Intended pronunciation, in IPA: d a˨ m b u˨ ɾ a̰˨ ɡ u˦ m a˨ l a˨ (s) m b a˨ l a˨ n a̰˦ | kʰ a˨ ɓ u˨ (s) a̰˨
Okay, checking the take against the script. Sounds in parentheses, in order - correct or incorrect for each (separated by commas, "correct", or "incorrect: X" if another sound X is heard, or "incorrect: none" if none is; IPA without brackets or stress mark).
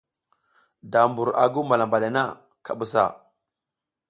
incorrect: none, correct